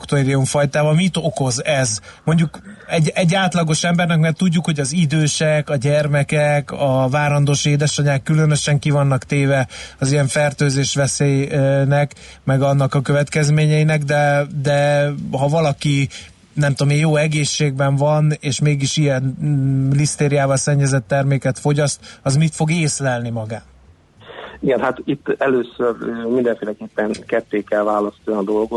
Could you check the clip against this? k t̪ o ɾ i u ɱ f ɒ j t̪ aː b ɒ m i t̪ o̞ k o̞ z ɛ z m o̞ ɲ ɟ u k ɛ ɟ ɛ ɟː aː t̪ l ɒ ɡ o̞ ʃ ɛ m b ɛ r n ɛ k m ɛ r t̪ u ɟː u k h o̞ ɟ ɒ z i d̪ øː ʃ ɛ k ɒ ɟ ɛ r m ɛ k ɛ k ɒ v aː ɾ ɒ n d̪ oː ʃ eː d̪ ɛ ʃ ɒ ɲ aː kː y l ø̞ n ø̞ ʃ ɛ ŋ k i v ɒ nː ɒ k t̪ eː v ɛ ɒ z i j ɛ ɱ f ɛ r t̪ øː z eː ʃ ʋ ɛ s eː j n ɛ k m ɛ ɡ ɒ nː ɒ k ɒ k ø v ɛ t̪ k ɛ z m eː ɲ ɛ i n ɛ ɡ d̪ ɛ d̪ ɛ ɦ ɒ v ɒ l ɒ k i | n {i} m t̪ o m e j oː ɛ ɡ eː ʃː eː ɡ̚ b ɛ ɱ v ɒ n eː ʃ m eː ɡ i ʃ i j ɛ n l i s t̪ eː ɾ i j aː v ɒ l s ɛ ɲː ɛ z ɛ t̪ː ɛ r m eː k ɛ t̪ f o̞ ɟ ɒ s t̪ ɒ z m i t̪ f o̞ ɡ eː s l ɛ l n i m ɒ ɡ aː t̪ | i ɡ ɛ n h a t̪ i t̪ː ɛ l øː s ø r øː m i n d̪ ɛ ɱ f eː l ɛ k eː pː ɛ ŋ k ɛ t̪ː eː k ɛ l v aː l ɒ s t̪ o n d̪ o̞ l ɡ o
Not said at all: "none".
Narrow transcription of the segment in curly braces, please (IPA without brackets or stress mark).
ɛ